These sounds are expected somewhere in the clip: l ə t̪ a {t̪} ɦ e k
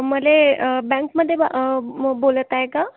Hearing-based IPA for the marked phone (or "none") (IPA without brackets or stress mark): none